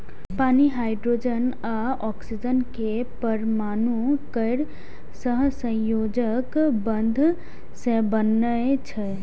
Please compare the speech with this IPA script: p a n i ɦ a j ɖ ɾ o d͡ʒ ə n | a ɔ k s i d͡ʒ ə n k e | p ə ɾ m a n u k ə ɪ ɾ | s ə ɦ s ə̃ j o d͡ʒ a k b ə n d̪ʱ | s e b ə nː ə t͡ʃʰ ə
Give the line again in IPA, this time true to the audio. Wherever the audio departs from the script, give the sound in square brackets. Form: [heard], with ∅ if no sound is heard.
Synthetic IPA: p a n i ɦ a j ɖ ɾ o d͡ʒ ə n | a ɔ k s i d͡ʒ ə n k e | p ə ɾ m a n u k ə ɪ ɾ | s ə ɦ s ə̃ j o d͡ʒ [ə] k b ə n d̪ʱ | s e b ə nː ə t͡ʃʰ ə